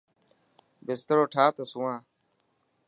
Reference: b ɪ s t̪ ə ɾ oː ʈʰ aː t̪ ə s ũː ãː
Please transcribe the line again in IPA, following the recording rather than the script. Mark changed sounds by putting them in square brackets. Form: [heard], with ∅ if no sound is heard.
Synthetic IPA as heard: b ɪ s t̪ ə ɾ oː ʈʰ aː t̪ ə s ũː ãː